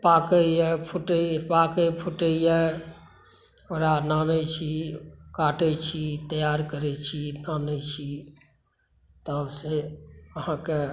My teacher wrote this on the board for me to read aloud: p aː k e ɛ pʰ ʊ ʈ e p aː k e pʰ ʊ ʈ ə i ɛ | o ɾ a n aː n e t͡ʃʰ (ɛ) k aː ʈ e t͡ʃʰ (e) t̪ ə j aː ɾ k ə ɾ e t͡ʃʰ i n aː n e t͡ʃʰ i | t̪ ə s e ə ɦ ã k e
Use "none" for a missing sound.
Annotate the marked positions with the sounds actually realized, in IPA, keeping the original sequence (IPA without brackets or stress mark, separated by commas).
i, i